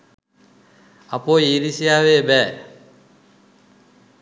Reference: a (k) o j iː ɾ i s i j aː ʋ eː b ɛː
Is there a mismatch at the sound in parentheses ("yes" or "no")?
yes